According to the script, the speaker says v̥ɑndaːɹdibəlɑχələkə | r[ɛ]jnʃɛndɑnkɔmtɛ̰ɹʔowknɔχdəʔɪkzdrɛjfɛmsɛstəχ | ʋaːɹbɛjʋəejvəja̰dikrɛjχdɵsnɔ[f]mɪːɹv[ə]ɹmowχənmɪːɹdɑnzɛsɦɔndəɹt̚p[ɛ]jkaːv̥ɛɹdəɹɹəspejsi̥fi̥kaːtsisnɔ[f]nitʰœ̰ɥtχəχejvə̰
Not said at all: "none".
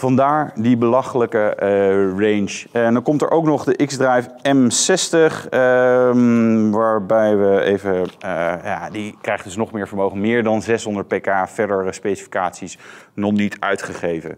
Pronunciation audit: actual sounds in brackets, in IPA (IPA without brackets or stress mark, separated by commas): e, χ, ə, e, χ